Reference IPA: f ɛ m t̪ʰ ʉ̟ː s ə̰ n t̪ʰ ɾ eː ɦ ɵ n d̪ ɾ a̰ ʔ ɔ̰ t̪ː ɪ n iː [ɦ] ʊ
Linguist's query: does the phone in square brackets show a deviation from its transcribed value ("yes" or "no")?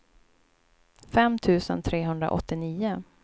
yes